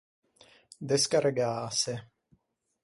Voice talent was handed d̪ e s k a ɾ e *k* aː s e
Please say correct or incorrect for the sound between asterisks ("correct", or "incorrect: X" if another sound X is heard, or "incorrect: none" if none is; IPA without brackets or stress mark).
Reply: incorrect: ɡ